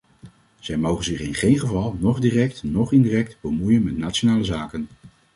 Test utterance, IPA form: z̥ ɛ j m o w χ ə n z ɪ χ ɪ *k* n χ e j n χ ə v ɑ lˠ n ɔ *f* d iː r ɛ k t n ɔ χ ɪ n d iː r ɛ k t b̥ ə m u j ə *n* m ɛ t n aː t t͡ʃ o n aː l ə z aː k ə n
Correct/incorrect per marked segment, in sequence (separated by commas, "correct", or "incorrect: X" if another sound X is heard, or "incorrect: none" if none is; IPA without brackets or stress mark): incorrect: none, incorrect: χ, correct